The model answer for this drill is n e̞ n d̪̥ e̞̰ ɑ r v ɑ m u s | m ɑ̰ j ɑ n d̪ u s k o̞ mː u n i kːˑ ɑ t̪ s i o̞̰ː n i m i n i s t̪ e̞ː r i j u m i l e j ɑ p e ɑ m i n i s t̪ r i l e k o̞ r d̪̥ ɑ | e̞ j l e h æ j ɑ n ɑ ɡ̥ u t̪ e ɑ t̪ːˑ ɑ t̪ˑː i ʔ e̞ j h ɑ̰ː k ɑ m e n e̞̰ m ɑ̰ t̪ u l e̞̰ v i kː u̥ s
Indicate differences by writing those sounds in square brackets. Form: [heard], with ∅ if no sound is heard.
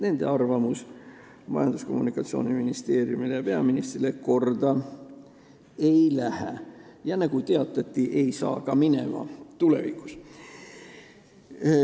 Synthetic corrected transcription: n e̞ n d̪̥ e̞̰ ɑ r v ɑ m u s | m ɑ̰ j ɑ n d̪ u s k o̞ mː u n i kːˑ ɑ t̪ s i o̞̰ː n i m i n i s t̪ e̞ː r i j u m i l e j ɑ p e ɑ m i n i s t̪ r i l e k o̞ r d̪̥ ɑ | e̞ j l [æ] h æ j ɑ n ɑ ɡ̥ u t̪ e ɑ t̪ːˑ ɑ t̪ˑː i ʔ e̞ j [s] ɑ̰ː k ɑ m [i] n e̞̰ m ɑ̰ t̪ u l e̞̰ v i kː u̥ s

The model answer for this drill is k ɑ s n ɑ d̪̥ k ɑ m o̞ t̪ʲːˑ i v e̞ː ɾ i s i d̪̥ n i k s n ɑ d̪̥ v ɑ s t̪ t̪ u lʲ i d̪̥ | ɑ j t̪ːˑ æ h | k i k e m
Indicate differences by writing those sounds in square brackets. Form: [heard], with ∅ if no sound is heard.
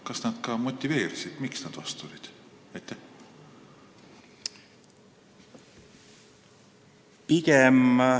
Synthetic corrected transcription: k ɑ s n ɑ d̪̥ k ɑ m o̞ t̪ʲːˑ i v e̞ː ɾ i s i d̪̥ [m] i k s n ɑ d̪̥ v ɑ s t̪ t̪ u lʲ i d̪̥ | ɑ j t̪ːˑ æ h | [p] i k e m

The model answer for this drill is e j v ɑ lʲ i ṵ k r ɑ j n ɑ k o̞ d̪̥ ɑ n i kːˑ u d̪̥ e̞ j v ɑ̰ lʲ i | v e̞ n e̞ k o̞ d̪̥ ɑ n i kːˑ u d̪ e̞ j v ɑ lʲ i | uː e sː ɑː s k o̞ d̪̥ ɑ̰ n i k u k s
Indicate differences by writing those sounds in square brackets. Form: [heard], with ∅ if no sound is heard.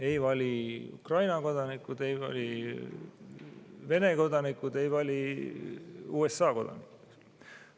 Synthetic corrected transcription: e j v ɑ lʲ i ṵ k r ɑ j n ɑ k o̞ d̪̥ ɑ n i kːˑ u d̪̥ e̞ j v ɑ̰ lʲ i | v e̞ n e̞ k o̞ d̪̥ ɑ n i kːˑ u d̪ e̞ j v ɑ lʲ i | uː e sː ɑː [∅] k o̞ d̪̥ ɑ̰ n i k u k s

